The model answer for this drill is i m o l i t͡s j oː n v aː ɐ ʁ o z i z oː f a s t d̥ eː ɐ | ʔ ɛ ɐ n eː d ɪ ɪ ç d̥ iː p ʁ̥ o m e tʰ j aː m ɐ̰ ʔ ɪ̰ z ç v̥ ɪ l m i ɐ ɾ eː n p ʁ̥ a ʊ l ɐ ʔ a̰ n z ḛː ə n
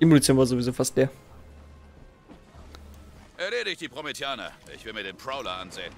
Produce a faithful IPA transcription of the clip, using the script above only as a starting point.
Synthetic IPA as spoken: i m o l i t͡s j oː n v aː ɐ z o v i z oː f a s t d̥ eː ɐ | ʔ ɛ ɐ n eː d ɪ ɪ ç d̥ iː p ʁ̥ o m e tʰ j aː n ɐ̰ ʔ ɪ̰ ç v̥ ɪ l m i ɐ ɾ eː n p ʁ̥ a ʊ l ɐ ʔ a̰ n z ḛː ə n